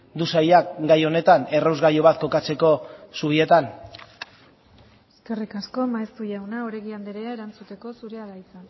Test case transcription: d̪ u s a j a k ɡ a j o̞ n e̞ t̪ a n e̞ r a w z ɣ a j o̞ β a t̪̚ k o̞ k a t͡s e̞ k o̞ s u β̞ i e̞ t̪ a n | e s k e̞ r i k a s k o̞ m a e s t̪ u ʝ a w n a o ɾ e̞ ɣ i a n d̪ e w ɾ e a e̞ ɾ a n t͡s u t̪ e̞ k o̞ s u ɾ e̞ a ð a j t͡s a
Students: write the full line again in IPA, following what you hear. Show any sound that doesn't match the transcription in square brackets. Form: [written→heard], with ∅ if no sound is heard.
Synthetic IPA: d̪ u s a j a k ɡ a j o̞ n e̞ t̪ a n e̞ r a w z ɣ a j o̞ β a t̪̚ k o̞ k a t͡s e̞ k o̞ s u β̞ i e̞ t̪ a n | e s k e̞ r i k a s k o̞ m a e s t̪ u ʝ a w n a o ɾ e̞ ɣ i a n d̪ e [w→∅] ɾ e a e̞ ɾ a n t͡s u t̪ e̞ k o̞ s u ɾ e̞ a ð a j t͡s a

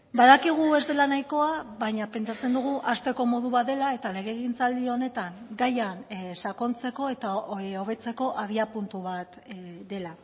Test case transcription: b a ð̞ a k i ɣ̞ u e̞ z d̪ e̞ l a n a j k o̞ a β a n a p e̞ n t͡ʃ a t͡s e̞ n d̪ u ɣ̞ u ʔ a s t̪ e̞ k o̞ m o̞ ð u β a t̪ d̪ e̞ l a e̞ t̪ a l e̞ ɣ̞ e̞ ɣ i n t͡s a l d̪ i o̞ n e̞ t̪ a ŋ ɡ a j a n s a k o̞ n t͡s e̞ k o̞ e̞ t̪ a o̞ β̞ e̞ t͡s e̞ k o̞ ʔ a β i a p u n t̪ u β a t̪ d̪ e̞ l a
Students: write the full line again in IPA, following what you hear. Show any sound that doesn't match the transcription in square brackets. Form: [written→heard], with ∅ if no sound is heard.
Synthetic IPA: b a ð̞ a k i ɣ̞ u e̞ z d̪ e̞ l a n a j k o̞ a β a [n→ɲ] a p e̞ n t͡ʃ a t͡s e̞ n d̪ u ɣ̞ u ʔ a s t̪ e̞ k o̞ m o̞ ð u β a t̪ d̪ e̞ l a e̞ t̪ a l e̞ ɣ̞ e̞ ɣ i n t͡s a l d̪ i o̞ n e̞ t̪ a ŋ ɡ a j a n s a k o̞ n t͡s e̞ k o̞ e̞ t̪ a o̞ β̞ e̞ t͡s e̞ k o̞ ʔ a β i a p u n t̪ u β a t̪ d̪ e̞ l a

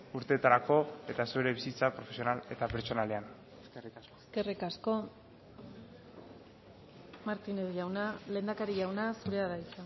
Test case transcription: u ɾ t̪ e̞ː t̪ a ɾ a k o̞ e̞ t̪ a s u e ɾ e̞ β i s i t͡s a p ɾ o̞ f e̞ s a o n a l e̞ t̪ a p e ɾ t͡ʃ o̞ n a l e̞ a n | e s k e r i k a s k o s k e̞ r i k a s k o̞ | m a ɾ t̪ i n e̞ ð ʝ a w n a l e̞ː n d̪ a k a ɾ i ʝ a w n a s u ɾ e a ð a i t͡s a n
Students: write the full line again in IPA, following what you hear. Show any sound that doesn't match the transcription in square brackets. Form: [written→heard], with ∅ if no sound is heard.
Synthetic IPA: u ɾ t̪ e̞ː t̪ a ɾ a k o̞ e̞ t̪ a s u e ɾ e̞ β i s i t͡s a p ɾ o̞ f e̞ s [a→i] o n a l e̞ t̪ a p e ɾ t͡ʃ o̞ n a l e̞ a n | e s k e r i k a s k o s k e̞ r i k a s k o̞ | m a ɾ t̪ i n e̞ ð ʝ a w n a l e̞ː n d̪ a k a ɾ i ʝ a w n a s u ɾ e a ð a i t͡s a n

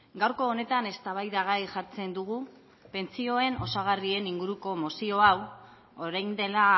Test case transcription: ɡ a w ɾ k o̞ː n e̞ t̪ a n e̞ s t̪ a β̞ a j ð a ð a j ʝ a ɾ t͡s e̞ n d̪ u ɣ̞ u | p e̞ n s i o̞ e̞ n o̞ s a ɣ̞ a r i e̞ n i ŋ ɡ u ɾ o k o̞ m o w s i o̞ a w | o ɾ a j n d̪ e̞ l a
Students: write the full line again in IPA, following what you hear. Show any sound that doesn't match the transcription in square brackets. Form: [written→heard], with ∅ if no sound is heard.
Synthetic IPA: ɡ a w ɾ k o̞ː n e̞ t̪ a n e̞ s t̪ a β̞ a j ð a [ð→ɣ] a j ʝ a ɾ t͡s e̞ n d̪ u ɣ̞ u | p e̞ n [s→t͡s] i o̞ e̞ n o̞ s a ɣ̞ a r i e̞ n i ŋ ɡ u ɾ [o→u] k o̞ m o [w→∅] s i o̞ a w | o ɾ a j n d̪ e̞ l a

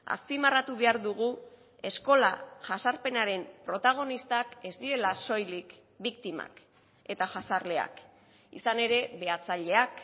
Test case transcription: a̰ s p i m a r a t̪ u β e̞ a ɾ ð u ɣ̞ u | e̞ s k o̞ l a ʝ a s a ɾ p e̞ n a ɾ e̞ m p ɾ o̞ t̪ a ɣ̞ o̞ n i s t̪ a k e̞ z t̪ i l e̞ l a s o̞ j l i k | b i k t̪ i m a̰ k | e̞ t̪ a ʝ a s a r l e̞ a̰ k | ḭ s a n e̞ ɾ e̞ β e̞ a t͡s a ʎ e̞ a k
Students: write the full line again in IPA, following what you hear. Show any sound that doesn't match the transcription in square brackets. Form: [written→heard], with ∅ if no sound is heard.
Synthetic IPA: a̰ s p i m a r a t̪ u β e̞ a ɾ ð u ɣ̞ u | e̞ s k o̞ l a ʝ a s a ɾ p e̞ n a ɾ e̞ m p ɾ o̞ t̪ a ɣ̞ o̞ n i s t̪ a k e̞ z [t̪→d̪] i [l→ɾ] e̞ l a s o̞ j l i k | b i k t̪ i m a̰ k | e̞ t̪ a ʝ a s a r l e̞ a̰ k | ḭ s a n e̞ ɾ e̞ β e̞ a t͡s a ʎ e̞ a k

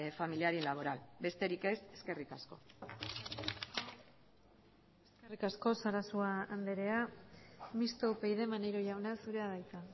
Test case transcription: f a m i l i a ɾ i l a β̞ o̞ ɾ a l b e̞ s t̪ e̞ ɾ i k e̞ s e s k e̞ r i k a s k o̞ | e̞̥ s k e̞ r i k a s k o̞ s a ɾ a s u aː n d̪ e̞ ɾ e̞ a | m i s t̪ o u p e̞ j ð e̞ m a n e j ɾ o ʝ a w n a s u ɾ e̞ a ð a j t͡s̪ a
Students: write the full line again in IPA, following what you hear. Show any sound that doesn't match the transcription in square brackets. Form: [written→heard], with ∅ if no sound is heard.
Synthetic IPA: f a m i l i a ɾ i l a β̞ o̞ ɾ a l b e̞ s t̪ e̞ ɾ i k e̞ s e s k e̞ r i k a s k o̞ | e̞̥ s k e̞ r i k a s k o̞ s a ɾ a s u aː n d̪ e̞ ɾ e̞ a | m i s t̪ o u p e̞ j ð e̞ m a n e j ɾ o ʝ a w n a s u ɾ e̞ a ð a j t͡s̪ a

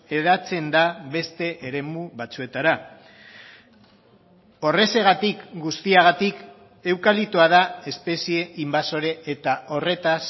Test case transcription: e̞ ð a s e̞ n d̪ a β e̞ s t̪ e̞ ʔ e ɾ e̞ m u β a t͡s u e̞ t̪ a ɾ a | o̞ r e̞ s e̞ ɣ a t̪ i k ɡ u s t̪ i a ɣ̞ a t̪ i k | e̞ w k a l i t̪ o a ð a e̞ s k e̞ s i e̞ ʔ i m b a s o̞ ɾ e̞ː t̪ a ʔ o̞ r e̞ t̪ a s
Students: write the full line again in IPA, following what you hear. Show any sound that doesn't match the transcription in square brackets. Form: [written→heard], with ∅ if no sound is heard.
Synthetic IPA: e̞ ð a [s→t͡s] e̞ n d̪ a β e̞ s t̪ e̞ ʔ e ɾ e̞ m u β a t͡s u e̞ t̪ a ɾ a | o̞ r e̞ s e̞ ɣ a t̪ i k ɡ u s t̪ i a ɣ̞ a t̪ i k | e̞ w k a l i t̪ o a ð a e̞ s [k→p] e̞ s i e̞ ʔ i m b a s o̞ ɾ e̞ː t̪ a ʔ o̞ r e̞ t̪ a s

